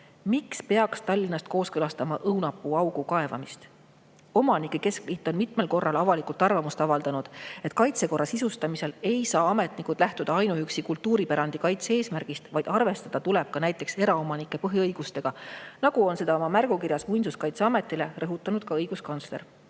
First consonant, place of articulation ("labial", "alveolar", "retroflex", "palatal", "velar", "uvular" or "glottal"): labial